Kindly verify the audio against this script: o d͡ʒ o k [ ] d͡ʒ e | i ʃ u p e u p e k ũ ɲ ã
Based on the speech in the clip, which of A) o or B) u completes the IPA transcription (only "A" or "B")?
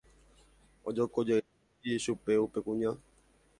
A